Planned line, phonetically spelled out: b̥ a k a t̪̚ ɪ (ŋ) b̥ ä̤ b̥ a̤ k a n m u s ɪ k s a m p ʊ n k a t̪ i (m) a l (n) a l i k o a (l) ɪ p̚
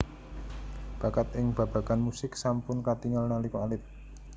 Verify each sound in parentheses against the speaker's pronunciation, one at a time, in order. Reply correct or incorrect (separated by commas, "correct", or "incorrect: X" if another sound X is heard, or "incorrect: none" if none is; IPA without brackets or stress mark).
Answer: correct, incorrect: ŋ, correct, correct